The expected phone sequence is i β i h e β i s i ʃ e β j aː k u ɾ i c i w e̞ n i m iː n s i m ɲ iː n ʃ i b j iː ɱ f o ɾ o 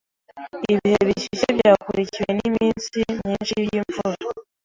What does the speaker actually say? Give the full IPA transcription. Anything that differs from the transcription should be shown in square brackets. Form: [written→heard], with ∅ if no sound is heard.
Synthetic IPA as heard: i β i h e β i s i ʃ e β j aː k u ɾ i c i w e̞ n i m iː n s i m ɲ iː n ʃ i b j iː ɱ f [o→u] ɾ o

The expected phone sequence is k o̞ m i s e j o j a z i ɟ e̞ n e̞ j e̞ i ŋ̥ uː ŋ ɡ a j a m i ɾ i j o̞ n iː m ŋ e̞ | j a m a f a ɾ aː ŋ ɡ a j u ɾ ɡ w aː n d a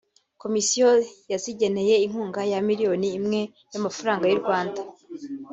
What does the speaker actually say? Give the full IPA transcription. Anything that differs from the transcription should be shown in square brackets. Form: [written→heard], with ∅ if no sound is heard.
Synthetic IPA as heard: k o̞ m i s [e→i] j o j a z i ɟ e̞ n e̞ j e̞ i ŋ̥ uː ŋ ɡ a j a m i ɾ i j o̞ n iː m ŋ e̞ | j a m a f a ɾ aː ŋ ɡ a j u ɾ ɡ w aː n d a

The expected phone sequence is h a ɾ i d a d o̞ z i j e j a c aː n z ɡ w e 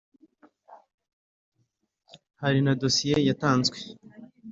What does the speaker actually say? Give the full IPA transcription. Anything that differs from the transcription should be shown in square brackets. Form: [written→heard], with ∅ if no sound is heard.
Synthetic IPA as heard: h a ɾ i [d→n] a d o̞ [z→s] i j e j a [c→t] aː n z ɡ w e

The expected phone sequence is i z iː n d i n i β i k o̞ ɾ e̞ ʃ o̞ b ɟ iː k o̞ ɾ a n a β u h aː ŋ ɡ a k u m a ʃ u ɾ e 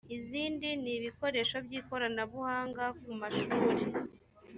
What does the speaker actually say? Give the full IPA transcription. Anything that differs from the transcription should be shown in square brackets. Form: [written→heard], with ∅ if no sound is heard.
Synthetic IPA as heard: i z iː n d i n i β i k o̞ ɾ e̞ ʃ o̞ b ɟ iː k o̞ ɾ a n a β u h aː ŋ ɡ a k u m a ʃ [u→uː] ɾ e

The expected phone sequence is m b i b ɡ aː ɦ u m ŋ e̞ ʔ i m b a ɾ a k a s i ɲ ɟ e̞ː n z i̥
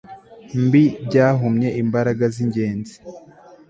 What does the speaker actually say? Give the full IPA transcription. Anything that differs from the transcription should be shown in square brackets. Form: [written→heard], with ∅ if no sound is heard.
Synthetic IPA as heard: m b i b [ɡ→ɟ] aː ɦ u m [ŋ→ɲ] e̞ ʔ i m b a ɾ a [k→ɡ] a [s→z] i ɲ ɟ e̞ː n z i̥

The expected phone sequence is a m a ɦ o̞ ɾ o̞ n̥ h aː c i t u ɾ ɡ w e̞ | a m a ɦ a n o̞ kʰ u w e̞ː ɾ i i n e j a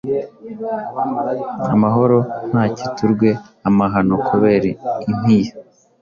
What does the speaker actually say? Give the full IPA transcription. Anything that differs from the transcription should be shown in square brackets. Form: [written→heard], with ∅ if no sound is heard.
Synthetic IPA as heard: a m a ɦ o̞ ɾ o̞ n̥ h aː c i t u ɾ ɡ w e̞ | a m a ɦ a n o̞ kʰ u [w→β] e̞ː ɾ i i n [e→i] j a

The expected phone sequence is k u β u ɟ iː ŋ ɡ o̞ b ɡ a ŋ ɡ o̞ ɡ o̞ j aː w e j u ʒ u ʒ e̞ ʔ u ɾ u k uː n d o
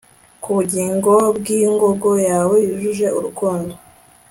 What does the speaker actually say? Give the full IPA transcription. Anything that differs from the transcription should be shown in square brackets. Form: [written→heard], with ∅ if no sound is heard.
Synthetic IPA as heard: k u β u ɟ iː ŋ ɡ o̞ b ɡ [a→i] ŋ ɡ o̞ ɡ o̞ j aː w e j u ʒ u ʒ e̞ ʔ u ɾ u k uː n d o

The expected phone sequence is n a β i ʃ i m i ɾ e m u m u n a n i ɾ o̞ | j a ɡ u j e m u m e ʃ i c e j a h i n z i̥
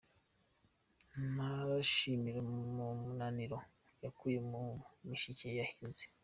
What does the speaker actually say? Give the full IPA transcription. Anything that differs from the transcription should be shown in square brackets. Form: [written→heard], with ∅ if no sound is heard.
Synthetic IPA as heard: n a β [i→a] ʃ i m i ɾ e m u m u n a n i ɾ o̞ | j a [ɡ→k] u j e m u m [e→i] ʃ i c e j a h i n z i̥

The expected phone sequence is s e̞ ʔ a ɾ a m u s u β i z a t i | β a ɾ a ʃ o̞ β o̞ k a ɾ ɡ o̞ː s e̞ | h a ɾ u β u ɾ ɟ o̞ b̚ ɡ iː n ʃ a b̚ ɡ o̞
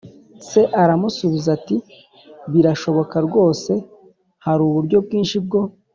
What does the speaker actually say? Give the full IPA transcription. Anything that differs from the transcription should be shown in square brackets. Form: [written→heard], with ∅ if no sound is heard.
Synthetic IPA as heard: s e̞ ʔ a ɾ a m u s u β i z a t i | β [a→i] ɾ a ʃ o̞ β o̞ k a ɾ ɡ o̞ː s e̞ | h a ɾ u β u ɾ ɟ o̞ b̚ ɡ iː n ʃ [a→i] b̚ ɡ o̞

